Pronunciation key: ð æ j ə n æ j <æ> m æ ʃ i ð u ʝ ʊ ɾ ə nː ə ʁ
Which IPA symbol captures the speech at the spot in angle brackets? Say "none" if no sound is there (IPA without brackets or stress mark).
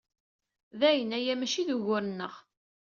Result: æ